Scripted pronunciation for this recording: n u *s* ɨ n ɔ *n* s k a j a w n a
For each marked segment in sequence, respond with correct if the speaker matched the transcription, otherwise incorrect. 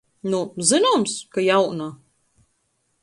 incorrect, incorrect

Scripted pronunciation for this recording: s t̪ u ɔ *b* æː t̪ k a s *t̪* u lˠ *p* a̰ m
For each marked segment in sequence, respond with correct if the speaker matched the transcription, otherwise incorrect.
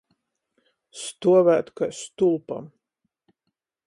incorrect, correct, correct

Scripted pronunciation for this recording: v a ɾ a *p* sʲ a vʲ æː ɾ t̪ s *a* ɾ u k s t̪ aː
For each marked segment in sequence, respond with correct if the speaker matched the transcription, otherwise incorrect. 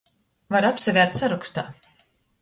correct, correct

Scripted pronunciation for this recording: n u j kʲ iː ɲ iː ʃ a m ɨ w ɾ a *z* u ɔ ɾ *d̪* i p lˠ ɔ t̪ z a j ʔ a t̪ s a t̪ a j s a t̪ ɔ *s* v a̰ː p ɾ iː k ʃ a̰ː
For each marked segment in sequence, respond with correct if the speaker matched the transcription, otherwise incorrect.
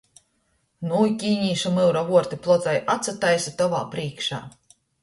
incorrect, incorrect, incorrect

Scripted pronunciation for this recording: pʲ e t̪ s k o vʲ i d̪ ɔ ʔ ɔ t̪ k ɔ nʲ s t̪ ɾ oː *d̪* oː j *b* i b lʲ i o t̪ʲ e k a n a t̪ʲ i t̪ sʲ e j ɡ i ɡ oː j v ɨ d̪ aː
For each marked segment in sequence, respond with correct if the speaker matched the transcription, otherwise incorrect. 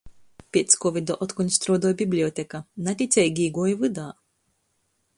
correct, correct

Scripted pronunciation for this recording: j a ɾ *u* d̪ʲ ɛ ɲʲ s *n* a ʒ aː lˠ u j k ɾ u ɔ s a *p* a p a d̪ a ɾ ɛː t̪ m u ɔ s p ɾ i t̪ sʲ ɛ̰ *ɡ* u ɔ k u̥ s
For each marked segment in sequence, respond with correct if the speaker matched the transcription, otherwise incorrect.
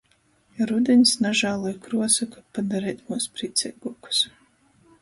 correct, correct, incorrect, correct

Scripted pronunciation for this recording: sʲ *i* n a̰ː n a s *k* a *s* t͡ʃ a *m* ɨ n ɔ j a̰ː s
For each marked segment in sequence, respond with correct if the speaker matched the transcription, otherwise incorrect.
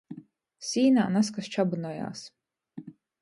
incorrect, correct, correct, incorrect

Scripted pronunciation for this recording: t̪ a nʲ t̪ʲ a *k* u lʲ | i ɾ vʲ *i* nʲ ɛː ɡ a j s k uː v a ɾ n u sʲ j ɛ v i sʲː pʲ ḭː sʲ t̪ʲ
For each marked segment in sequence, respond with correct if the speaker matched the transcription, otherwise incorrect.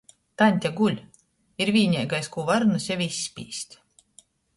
incorrect, incorrect

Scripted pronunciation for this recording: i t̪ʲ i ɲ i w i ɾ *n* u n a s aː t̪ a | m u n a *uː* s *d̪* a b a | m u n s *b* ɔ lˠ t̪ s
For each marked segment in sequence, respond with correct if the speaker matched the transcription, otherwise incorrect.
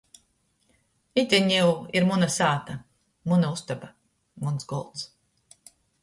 incorrect, incorrect, incorrect, incorrect

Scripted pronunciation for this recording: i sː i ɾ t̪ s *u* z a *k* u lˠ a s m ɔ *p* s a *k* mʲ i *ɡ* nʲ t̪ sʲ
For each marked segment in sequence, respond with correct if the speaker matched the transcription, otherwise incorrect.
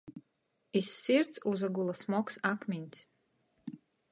correct, incorrect, incorrect, correct, incorrect

